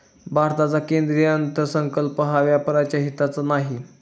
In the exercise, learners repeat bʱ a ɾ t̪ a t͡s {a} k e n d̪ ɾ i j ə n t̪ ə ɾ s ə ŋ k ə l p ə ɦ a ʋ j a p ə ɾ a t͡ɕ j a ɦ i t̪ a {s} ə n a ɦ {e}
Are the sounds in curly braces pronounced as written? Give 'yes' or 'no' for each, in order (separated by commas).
yes, no, no